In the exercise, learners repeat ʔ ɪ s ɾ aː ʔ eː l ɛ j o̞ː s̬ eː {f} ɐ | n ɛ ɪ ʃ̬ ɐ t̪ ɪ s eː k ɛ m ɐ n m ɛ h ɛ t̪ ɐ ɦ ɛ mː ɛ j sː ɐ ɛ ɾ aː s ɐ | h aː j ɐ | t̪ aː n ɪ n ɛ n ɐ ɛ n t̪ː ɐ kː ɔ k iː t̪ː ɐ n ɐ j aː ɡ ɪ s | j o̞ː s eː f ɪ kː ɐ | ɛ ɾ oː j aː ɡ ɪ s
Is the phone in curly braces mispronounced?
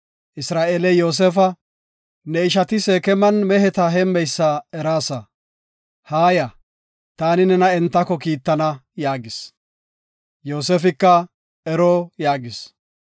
no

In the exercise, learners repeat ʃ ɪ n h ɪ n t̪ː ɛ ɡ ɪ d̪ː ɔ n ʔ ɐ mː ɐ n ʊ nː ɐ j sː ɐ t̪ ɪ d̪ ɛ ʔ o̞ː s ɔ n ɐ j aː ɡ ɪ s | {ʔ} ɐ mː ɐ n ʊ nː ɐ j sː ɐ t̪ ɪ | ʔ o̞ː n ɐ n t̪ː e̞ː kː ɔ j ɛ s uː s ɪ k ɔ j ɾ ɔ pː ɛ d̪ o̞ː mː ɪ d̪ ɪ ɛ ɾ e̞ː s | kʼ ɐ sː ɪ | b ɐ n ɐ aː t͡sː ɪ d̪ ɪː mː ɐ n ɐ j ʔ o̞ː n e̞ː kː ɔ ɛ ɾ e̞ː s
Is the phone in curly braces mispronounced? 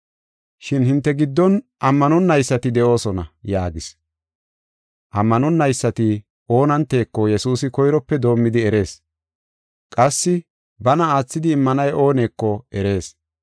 no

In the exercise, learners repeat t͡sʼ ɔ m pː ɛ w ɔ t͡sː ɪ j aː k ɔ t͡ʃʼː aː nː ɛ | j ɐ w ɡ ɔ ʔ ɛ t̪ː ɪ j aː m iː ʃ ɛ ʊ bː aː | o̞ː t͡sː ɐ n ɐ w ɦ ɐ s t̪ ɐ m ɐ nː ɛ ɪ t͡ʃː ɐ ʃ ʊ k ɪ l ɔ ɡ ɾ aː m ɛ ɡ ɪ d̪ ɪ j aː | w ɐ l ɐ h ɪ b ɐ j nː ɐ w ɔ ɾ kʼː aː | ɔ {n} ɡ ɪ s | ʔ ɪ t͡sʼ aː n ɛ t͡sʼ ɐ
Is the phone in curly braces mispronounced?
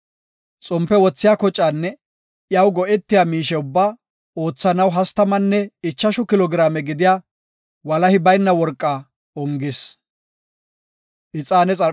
yes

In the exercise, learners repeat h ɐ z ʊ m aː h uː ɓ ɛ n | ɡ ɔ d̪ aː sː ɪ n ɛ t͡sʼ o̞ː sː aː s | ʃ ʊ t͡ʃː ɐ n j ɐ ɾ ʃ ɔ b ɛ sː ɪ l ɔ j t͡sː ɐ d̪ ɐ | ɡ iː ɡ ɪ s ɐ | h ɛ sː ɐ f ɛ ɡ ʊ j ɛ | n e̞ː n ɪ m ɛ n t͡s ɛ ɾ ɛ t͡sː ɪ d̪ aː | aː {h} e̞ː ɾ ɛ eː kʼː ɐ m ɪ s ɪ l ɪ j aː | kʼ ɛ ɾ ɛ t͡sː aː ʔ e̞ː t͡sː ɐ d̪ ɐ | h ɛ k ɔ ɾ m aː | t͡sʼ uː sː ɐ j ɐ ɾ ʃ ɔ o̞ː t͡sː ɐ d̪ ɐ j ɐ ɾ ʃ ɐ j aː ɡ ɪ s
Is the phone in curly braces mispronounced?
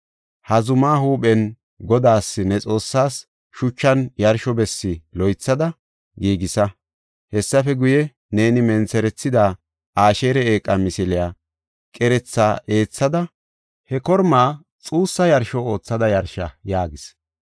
yes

